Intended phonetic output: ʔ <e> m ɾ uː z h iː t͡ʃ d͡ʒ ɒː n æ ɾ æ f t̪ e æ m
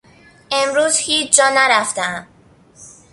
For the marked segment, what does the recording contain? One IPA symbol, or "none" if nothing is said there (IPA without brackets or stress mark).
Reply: e